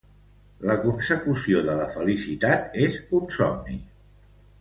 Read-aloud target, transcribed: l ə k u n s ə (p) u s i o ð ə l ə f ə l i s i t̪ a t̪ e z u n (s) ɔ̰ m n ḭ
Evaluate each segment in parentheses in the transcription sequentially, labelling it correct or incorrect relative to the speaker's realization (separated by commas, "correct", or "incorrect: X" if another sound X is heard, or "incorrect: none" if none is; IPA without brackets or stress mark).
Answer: incorrect: k, correct